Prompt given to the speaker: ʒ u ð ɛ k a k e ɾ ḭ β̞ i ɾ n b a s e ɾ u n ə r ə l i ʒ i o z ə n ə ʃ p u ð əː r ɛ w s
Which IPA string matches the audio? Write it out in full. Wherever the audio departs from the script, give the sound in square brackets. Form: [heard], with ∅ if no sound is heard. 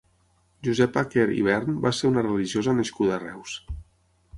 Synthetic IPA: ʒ u [z] ɛ [p] a k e ɾ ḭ β̞ [ɛ] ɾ n b a s e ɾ u n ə r ə l i ʒ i o z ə n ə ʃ [k] u ð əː r ɛ w s